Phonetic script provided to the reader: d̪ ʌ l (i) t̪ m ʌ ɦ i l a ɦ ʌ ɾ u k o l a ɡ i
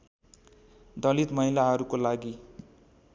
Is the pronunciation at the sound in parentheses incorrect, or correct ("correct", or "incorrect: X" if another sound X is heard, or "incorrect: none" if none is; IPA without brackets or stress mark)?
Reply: correct